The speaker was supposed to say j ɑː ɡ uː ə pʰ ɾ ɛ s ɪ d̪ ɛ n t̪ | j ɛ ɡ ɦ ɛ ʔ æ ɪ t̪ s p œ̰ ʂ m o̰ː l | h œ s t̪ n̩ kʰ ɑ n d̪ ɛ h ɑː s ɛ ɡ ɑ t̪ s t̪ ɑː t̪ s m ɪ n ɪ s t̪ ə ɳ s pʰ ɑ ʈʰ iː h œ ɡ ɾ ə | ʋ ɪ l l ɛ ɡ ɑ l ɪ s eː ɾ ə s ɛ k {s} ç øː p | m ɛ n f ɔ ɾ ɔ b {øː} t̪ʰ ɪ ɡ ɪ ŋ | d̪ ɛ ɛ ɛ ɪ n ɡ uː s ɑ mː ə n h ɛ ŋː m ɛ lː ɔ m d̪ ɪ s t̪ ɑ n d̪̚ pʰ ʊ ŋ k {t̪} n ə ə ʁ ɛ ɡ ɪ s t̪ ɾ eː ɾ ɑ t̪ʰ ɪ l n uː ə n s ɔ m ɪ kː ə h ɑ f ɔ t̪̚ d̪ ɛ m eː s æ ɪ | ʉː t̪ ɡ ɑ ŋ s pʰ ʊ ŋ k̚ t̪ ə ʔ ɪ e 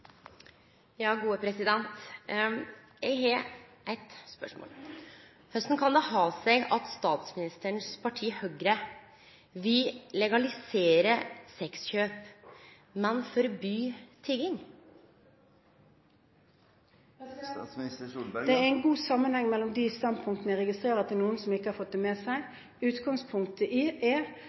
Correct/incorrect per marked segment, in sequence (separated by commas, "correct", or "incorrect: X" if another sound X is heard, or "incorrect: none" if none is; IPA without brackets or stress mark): correct, incorrect: yː, correct